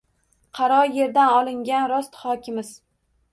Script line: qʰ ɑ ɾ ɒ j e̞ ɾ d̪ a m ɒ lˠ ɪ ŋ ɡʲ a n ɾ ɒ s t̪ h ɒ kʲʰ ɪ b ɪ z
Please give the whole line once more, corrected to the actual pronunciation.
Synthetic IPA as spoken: qʰ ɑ ɾ ɒ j e̞ ɾ d̪ a n ɒ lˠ ɪ ŋ ɡʲ a n ɾ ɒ s t̪ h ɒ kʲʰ ɪ m ɪ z

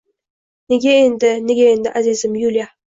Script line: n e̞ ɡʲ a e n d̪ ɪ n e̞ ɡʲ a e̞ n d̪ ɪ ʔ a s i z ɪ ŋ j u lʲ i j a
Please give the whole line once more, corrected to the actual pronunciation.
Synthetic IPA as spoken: n e̞ ɡʲ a e n d̪ ɪ n e̞ ɡʲ a e̞ n d̪ ɪ ʔ a z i z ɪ m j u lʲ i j a

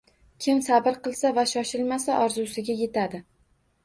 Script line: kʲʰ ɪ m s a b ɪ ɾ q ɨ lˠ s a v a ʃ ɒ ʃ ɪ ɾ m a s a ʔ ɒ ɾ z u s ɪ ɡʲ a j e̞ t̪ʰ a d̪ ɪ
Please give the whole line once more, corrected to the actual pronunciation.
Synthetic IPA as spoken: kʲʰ ɪ m s a b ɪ ɾ q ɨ lˠ s a v a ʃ ɒ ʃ ɪ l m a s a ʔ ɒ ɾ z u s ɪ ɡʲ a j e̞ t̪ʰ a d̪ ɪ

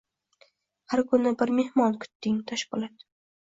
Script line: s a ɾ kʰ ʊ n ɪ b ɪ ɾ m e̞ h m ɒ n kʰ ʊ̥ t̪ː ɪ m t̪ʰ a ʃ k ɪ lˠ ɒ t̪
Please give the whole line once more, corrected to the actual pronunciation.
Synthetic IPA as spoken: h a ɾ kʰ ʊ n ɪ b ɪ ɾ m e̞ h m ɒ n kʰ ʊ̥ t̪ː ɪ ŋ t̪ʰ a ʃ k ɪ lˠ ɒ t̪

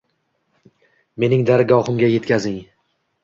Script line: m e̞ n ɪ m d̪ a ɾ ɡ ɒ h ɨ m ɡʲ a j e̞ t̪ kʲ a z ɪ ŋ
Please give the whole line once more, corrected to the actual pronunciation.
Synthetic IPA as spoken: m e̞ n ɪ ŋ d̪ a ɾ ɡ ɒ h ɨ m ɡʲ a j e̞ t̪ kʲ a z ɪ ŋ

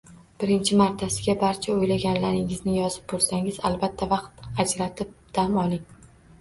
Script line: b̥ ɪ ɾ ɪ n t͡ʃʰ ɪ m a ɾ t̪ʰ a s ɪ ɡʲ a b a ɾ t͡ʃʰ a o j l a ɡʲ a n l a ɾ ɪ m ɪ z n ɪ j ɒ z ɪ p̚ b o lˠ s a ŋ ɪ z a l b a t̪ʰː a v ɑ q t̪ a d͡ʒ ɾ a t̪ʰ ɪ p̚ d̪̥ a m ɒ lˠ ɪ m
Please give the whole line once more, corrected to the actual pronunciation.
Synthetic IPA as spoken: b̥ ɪ ɾ ɪ n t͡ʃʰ ɪ m a ɾ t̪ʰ a s ɪ ɡʲ a b a ɾ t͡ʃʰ a o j l a ɡʲ a n l a ɾ ɪ ŋ ɪ z n ɪ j ɒ z ɪ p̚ b o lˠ s a ŋ ɪ z a l b a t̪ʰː a v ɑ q t̪ a d͡ʒ ɾ a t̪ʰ ɪ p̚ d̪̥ a m ɒ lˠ ɪ ŋ

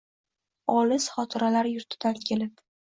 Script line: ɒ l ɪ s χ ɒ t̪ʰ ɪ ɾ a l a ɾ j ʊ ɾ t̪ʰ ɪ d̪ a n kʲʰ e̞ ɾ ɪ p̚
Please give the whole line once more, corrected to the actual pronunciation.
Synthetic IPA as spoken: ɒ l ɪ s χ ɒ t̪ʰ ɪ ɾ a l a ɾ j ʊ ɾ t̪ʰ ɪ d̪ a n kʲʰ e̞ l ɪ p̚

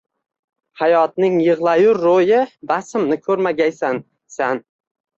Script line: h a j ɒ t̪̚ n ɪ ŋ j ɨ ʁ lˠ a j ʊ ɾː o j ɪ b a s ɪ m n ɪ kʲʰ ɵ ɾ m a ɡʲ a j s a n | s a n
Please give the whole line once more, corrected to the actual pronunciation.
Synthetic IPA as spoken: h a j ɒ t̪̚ n ɪ ŋ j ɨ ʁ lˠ a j ʊ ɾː o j ɪ b a s ɪ m n ɪ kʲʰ ɵ ɾ m a ɡʲ a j s a n | s a n

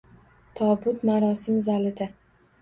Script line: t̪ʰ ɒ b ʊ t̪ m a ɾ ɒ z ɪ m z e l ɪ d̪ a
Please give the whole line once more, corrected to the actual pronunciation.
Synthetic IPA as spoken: t̪ʰ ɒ b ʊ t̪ m a ɾ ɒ s ɪ m z a l ɪ d̪ a

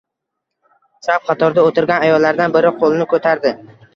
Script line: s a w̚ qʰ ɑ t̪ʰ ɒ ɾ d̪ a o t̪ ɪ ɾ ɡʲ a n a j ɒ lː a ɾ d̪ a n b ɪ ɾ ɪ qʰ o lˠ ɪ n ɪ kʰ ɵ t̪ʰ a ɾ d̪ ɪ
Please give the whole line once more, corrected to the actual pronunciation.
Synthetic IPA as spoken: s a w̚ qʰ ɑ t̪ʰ ɒ ɾ d̪ a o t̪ ɪ ɾ ɡʲ a n a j ɒ lː a ɾ d̪ a n b ɪ ɾ ɪ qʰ o lˠ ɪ n ɪ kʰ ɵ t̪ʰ a ɾ d̪ ɪ

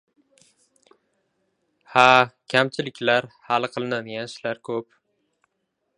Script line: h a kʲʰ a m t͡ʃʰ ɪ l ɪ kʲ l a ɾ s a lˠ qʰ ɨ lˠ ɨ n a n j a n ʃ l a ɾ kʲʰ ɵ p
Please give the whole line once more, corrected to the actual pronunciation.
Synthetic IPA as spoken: h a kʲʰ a m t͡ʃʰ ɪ l ɪ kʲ l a ɾ h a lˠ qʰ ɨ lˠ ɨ n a n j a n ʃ l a ɾ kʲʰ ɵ p

